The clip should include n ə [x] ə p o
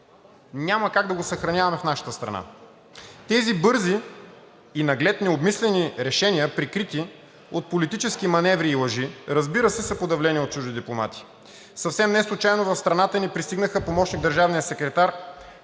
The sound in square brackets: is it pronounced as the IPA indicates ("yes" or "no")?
yes